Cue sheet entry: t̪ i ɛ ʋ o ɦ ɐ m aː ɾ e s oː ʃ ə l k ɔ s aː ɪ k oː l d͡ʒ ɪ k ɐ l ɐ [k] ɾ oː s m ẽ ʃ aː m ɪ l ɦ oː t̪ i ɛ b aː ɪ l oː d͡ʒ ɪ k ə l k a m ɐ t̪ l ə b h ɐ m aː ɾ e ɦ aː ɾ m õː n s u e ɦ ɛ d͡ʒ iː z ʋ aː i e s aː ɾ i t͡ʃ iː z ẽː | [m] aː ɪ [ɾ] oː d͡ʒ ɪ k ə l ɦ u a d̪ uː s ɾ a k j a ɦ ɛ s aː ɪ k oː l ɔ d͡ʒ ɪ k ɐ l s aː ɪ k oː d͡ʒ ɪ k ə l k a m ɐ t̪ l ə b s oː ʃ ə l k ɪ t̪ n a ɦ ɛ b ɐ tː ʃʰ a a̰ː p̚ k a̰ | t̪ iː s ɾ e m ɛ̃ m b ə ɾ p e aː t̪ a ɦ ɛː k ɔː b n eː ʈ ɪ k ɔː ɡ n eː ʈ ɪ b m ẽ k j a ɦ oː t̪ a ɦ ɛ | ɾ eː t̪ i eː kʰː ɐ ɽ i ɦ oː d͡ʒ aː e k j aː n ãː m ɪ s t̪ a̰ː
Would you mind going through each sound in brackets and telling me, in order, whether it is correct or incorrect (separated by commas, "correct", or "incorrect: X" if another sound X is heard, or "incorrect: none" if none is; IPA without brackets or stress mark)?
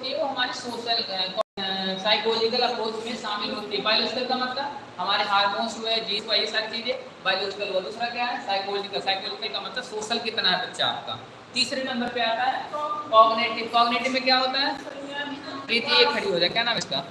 incorrect: p, incorrect: b, incorrect: l